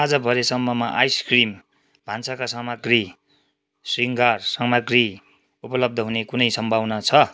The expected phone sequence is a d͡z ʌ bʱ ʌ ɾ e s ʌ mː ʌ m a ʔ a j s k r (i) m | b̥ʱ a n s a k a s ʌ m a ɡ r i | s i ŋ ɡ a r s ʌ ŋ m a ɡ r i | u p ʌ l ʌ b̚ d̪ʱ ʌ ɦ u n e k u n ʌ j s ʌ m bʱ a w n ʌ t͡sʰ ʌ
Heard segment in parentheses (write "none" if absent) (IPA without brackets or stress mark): i